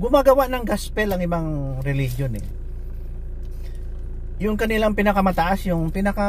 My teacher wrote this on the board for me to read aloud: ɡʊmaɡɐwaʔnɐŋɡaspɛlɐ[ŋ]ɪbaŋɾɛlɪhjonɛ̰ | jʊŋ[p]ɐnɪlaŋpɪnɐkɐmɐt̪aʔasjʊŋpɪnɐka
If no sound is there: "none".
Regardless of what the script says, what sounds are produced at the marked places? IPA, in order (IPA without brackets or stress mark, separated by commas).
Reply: ŋ, k